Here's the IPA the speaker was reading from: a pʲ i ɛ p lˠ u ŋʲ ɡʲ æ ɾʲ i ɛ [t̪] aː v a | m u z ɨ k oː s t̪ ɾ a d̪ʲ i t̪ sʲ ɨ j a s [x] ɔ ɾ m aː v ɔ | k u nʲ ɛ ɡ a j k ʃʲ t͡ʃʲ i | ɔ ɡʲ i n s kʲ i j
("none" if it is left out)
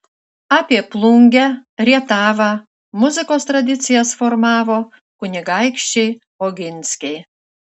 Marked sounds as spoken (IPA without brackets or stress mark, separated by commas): t̪, f